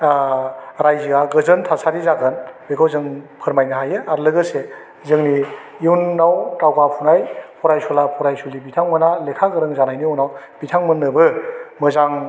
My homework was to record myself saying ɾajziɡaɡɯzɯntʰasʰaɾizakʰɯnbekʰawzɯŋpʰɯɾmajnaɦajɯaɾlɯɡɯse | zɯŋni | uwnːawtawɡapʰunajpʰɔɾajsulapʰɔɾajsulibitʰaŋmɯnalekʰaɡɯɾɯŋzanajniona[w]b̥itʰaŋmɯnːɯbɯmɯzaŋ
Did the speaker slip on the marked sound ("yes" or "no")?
no